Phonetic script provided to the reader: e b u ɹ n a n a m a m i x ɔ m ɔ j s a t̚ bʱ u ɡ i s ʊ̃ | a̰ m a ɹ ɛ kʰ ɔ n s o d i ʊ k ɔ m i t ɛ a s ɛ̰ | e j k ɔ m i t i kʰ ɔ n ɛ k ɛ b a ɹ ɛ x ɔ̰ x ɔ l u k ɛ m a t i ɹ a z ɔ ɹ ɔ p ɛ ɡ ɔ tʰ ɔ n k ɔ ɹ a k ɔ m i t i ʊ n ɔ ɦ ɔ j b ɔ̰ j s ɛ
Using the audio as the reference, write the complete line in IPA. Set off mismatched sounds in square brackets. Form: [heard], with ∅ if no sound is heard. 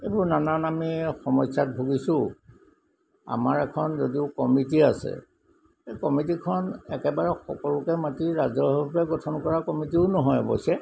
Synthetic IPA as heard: e b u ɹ n a n a [n] a m i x ɔ m ɔ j s a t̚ bʱ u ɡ i s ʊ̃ | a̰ m a ɹ ɛ kʰ ɔ n [z] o d i ʊ k ɔ m i t [i] a s ɛ̰ | e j k ɔ m i t i kʰ ɔ n ɛ k ɛ b a ɹ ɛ x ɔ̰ [k] ɔ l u k ɛ m a t i ɹ a z ɔ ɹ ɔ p ɛ ɡ ɔ tʰ ɔ n k ɔ ɹ a k ɔ m i t i ʊ n ɔ ɦ ɔ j b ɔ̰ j s ɛ